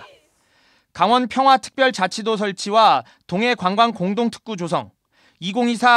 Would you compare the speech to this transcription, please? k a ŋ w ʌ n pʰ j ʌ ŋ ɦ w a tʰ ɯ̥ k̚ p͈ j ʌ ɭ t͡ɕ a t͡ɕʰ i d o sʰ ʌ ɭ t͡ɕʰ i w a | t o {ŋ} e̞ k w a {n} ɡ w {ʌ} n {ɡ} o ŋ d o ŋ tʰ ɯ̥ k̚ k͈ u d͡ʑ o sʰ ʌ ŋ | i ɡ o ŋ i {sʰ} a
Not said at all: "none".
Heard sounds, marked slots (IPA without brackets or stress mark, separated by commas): ŋ, ŋ, a, k, sʰ